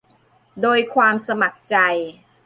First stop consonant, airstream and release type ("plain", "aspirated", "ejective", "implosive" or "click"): plain